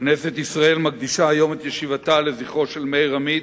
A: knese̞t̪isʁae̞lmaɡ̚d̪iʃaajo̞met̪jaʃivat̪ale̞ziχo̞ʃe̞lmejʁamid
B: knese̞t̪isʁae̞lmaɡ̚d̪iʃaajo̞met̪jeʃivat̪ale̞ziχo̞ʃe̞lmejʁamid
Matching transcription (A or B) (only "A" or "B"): B